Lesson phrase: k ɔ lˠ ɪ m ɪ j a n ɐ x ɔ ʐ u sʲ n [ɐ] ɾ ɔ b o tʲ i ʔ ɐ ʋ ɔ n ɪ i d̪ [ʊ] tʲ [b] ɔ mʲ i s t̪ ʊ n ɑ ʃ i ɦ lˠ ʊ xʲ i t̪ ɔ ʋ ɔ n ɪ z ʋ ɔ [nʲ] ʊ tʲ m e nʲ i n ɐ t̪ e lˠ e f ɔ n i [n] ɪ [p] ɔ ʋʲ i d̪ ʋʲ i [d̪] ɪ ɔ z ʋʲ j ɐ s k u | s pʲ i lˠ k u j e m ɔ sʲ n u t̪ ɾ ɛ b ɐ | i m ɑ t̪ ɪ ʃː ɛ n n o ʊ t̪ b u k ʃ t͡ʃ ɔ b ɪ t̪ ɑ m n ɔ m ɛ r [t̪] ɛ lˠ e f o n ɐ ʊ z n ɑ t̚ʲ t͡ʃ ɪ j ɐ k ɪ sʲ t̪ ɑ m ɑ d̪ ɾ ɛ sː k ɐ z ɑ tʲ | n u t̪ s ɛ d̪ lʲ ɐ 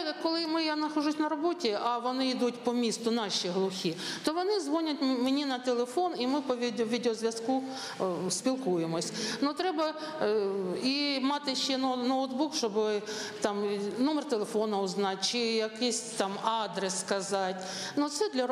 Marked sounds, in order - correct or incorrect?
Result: correct, incorrect: u, incorrect: p, correct, incorrect: m, correct, correct, correct

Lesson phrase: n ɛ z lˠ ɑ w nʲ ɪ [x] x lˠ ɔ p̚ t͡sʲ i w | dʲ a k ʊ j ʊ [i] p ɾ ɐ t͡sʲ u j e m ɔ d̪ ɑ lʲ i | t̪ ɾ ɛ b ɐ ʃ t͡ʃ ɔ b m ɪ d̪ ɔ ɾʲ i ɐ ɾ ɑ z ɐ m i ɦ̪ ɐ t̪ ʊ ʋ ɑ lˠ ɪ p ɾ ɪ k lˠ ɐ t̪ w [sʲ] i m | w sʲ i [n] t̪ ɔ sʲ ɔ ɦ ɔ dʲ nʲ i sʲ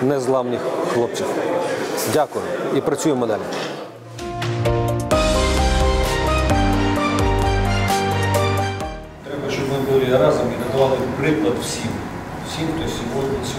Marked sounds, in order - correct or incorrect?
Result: correct, correct, correct, incorrect: m

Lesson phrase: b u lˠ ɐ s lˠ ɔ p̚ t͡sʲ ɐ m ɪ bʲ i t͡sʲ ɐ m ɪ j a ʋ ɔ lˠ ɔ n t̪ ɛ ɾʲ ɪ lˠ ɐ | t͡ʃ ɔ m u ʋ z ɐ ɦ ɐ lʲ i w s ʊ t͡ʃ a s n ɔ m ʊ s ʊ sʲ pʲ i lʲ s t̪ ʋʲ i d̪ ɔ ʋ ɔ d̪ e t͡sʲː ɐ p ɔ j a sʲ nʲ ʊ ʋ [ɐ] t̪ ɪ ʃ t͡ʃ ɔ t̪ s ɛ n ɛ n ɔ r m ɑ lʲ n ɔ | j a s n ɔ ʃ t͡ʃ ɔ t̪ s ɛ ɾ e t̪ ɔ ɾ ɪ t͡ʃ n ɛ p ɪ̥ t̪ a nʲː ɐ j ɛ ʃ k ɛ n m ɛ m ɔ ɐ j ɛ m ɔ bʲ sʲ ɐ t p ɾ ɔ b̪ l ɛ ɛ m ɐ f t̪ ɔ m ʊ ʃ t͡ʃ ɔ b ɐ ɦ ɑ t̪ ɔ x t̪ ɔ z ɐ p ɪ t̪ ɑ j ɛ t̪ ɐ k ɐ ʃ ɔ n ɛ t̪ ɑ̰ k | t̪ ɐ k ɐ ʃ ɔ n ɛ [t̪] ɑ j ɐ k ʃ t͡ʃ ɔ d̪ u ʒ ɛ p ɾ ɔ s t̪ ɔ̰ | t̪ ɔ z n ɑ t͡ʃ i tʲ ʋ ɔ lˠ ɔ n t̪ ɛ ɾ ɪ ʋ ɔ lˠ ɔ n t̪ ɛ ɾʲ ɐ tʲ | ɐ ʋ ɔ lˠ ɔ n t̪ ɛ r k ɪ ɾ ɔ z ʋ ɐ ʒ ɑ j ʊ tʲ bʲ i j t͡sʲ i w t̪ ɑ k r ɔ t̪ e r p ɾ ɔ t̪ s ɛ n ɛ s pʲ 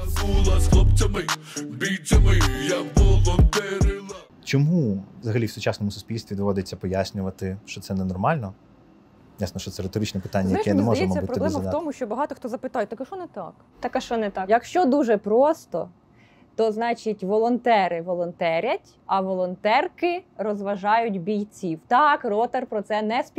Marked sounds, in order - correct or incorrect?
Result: correct, correct

